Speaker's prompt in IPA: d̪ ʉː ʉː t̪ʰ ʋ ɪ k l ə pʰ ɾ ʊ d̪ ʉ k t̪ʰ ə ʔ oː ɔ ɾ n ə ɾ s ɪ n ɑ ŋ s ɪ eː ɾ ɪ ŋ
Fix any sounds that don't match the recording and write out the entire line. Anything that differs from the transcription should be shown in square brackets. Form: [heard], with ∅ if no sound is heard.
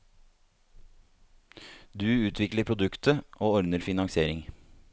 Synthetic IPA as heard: d̪ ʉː ʉː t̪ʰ ʋ ɪ k l ə pʰ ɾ ʊ d̪ ʉ k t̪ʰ ə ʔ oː ɔ ɾ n ə ɾ [f] ɪ n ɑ ŋ s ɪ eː ɾ ɪ ŋ